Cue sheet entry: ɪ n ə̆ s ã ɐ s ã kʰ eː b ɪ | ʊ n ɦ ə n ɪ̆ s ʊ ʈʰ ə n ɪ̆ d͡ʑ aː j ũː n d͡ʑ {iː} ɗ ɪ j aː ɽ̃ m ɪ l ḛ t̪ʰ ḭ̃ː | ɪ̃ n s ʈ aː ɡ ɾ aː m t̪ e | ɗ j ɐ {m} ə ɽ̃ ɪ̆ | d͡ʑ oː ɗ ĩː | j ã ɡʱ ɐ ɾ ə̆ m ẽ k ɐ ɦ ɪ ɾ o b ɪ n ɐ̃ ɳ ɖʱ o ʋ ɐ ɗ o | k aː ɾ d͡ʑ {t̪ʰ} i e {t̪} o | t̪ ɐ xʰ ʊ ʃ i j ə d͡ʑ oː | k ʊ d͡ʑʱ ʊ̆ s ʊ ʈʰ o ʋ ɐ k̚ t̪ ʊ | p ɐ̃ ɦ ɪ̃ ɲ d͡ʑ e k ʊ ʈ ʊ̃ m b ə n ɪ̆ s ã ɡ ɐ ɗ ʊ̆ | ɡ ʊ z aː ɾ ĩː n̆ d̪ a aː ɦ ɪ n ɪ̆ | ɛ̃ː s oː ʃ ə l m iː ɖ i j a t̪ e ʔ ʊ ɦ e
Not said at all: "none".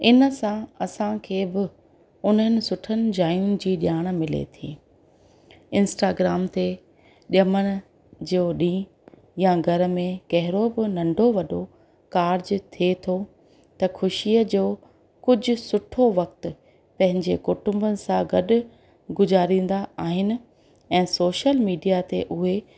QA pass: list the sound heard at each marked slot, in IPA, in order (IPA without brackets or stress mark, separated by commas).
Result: iː, m, t̪ʰ, t̪ʰ